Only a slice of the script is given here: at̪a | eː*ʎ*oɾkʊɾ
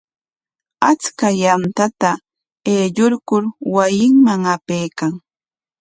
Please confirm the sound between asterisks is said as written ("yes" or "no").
yes